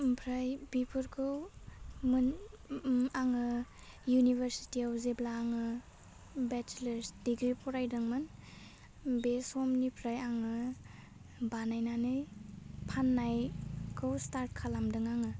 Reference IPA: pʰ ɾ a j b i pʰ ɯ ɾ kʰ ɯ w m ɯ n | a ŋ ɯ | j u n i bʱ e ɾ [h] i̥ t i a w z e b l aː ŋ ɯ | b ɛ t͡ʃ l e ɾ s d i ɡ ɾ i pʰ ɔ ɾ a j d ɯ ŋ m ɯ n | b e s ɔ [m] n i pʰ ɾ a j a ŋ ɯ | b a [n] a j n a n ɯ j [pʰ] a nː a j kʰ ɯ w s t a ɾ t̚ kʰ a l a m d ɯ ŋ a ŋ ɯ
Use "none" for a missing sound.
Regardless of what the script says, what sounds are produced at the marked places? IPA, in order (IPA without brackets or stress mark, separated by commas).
s, m, n, pʰ